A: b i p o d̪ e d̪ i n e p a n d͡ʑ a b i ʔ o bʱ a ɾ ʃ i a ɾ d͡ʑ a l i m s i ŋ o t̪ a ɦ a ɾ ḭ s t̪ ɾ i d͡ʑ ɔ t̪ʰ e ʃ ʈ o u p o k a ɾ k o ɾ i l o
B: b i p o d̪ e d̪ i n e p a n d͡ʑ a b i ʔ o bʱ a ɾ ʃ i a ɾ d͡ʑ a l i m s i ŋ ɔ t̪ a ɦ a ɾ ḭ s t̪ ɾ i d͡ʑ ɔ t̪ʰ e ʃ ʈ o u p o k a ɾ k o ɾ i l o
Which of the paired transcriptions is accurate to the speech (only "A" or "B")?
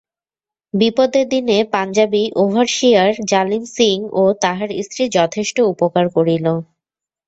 A